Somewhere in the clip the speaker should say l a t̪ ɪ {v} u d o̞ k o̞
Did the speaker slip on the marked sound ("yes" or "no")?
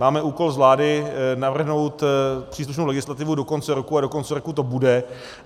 no